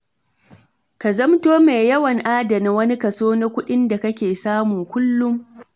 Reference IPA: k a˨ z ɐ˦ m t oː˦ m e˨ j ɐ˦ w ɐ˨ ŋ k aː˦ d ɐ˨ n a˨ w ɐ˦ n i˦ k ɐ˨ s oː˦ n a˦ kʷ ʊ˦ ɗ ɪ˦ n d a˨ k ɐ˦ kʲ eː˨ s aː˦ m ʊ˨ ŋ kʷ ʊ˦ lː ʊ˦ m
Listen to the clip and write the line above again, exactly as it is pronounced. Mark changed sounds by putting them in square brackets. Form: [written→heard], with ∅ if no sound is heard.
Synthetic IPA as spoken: k a˨ z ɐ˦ m t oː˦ m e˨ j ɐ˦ w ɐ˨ ŋ [k→ʔ] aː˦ d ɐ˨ n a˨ w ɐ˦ n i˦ k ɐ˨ s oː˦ n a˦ kʷ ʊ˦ ɗ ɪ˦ n d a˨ k ɐ˦ kʲ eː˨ s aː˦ m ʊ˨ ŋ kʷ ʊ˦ lː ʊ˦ m